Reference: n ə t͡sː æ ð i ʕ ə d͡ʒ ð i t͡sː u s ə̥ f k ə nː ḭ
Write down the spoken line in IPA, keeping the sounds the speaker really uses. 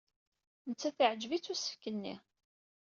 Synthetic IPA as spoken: n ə t͡sː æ θ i ʕ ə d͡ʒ v i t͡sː u s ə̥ f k ə nː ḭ